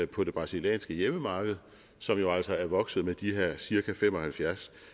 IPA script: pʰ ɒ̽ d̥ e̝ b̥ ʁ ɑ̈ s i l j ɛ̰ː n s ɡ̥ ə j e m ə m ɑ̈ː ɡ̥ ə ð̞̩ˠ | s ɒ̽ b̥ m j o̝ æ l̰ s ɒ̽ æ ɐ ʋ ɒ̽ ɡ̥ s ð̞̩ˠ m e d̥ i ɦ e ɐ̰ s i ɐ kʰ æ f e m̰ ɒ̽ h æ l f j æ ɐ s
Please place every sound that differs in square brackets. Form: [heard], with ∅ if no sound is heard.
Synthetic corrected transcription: pʰ ɒ̽ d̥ e̝ b̥ ʁ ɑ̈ s i l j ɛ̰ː n s ɡ̥ ə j e m ə m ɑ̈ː ɡ̥ ə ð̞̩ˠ | s ɒ̽ [∅] m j o̝ æ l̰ s ɒ̽ æ ɐ ʋ ɒ̽ ɡ̥ s ð̞̩ˠ m e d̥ i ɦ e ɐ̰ s i ɐ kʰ æ f e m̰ ɒ̽ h æ l f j æ ɐ s